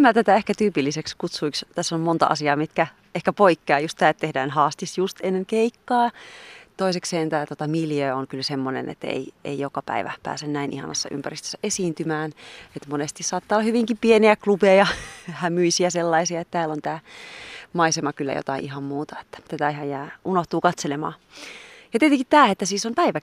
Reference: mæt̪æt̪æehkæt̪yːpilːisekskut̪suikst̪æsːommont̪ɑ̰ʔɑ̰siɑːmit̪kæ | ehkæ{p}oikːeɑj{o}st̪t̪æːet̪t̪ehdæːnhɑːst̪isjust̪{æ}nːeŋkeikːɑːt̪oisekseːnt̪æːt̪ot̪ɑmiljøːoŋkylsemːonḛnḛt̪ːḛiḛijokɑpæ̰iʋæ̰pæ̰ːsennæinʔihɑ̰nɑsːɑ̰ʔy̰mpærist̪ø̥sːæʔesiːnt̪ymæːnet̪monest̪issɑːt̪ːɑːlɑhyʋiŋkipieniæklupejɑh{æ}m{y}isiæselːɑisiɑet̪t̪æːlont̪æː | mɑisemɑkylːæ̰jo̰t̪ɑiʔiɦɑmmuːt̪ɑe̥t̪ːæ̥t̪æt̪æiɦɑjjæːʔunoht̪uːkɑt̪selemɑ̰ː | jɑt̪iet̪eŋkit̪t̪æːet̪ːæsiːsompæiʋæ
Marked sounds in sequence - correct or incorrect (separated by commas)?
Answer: correct, incorrect, incorrect, correct, correct